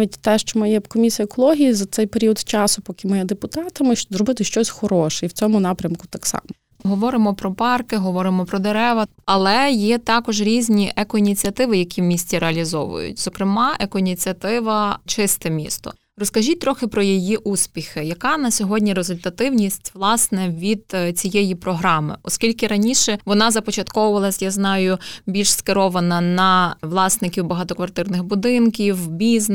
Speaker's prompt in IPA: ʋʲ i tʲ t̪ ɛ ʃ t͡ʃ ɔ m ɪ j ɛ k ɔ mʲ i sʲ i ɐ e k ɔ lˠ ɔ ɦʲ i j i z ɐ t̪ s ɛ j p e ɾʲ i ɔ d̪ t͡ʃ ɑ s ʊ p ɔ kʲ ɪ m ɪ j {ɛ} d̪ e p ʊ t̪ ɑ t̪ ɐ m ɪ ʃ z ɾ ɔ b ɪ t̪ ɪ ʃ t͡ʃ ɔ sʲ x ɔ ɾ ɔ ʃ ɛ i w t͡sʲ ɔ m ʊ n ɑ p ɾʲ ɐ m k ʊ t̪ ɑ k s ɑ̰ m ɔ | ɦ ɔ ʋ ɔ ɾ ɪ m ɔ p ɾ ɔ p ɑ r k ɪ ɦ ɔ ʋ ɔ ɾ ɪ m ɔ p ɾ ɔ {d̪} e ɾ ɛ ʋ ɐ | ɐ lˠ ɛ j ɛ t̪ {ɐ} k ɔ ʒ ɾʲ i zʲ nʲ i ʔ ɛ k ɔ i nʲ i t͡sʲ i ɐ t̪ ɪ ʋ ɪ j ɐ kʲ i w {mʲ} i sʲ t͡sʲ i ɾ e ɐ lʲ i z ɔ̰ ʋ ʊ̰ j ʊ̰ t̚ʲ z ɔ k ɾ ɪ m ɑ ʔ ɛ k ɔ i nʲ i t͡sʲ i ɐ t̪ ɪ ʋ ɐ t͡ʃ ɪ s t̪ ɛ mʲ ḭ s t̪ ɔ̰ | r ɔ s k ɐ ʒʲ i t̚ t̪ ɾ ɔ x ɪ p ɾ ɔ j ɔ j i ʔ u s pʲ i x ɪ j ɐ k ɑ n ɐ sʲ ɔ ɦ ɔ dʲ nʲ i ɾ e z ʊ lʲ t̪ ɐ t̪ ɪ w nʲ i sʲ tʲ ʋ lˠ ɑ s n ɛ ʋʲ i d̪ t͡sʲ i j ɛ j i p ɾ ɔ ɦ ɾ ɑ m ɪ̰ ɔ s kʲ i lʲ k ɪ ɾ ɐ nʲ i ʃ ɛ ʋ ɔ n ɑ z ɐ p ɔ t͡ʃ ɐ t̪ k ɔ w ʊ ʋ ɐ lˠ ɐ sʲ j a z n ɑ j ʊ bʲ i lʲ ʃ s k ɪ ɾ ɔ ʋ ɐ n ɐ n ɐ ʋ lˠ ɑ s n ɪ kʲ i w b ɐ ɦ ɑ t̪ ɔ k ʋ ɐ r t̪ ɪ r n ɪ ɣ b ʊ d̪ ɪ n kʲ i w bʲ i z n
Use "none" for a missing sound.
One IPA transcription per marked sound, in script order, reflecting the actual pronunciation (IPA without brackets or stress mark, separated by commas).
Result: ɛ, d̪, ɑ, mʲ